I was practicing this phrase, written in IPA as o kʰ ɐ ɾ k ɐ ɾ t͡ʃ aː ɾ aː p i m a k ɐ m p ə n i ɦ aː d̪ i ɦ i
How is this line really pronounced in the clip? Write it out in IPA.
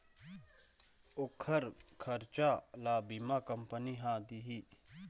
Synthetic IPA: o kʰ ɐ ɾ kʰ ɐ ɾ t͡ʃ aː l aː b i m a k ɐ m p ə n i ɦ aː d̪ i ɦ i